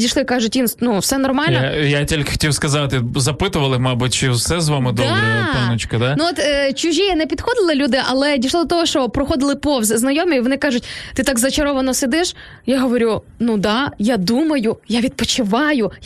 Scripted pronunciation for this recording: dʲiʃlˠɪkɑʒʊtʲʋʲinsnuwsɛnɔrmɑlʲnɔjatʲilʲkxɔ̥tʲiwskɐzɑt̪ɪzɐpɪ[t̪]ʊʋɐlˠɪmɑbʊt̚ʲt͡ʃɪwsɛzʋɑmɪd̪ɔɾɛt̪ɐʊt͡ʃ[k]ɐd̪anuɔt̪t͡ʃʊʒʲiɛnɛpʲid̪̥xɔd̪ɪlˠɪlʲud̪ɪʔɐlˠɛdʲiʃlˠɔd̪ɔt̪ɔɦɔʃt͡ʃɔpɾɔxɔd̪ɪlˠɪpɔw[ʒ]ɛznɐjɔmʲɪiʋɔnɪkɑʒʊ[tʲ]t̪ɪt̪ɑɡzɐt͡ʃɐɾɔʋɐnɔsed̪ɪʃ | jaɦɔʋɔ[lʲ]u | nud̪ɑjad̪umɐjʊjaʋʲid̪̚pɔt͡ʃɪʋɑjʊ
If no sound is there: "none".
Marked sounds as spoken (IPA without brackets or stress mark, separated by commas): t̪, k, z, tʲ, ɾʲ